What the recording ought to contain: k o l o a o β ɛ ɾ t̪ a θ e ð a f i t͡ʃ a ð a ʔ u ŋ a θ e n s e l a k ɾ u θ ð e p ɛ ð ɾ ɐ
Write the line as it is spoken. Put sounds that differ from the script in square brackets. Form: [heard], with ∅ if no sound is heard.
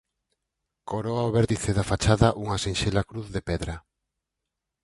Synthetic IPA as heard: k o [ɾ] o a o β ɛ ɾ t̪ [i] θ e ð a f [a] t͡ʃ a ð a ʔ u ŋ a [s] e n [ʃ] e l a k ɾ u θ ð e p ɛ ð ɾ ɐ